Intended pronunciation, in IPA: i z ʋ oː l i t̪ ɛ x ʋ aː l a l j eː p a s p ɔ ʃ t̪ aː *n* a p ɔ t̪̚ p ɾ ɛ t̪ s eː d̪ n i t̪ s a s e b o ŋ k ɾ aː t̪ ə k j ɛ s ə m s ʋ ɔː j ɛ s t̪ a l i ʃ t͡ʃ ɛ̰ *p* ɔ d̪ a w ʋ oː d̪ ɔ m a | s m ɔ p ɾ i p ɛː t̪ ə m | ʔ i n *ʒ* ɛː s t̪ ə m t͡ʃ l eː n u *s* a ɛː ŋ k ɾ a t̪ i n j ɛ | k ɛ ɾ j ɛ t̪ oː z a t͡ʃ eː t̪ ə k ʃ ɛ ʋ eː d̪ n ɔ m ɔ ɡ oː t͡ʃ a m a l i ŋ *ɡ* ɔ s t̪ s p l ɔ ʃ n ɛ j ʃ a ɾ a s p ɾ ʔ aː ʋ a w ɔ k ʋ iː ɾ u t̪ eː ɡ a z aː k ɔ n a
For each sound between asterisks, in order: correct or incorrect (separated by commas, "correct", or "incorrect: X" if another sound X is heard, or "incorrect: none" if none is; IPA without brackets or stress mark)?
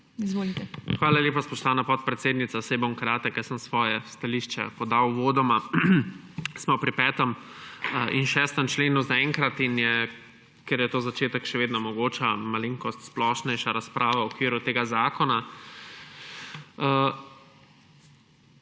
correct, correct, incorrect: ʃ, incorrect: z, incorrect: k